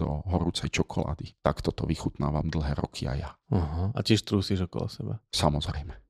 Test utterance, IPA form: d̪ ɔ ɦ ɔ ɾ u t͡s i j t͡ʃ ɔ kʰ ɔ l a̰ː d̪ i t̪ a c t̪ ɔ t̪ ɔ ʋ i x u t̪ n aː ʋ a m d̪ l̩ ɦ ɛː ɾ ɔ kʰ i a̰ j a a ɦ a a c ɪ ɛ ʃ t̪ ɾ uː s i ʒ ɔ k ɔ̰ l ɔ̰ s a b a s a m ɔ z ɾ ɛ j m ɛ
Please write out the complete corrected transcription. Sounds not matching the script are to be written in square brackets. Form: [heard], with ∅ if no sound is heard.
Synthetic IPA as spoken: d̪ ɔ ɦ ɔ ɾ u t͡s [ɛ] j t͡ʃ ɔ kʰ ɔ l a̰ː d̪ i t̪ a [k] t̪ ɔ t̪ ɔ ʋ i x u t̪ n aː ʋ a m d̪ l̩ ɦ ɛː ɾ ɔ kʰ i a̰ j a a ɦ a a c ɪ ɛ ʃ t̪ ɾ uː s i ʒ ɔ k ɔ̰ l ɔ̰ s [ɛ] b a s a m ɔ z ɾ ɛ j m ɛ